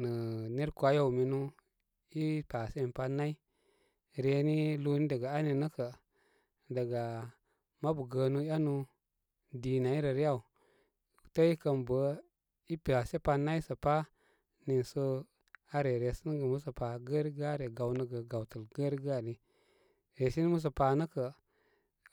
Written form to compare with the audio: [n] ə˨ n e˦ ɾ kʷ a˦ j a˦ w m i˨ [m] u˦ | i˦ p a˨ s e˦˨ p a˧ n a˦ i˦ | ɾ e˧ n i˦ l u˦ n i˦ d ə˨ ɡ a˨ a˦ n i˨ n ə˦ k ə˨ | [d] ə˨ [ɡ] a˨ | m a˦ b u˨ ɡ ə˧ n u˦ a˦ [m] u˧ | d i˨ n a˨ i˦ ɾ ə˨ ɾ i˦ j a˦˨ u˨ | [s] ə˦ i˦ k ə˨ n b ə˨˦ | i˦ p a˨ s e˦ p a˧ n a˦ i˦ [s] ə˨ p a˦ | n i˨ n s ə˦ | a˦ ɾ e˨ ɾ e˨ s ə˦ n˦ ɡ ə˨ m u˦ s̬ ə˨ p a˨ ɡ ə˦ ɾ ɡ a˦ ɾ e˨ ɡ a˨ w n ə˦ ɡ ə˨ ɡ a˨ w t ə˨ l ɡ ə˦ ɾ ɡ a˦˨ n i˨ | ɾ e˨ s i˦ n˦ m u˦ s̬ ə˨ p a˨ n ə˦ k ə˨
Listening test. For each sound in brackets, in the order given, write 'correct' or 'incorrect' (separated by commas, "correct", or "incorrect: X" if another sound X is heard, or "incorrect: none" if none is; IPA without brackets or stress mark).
correct, incorrect: n, correct, correct, incorrect: n, incorrect: t, correct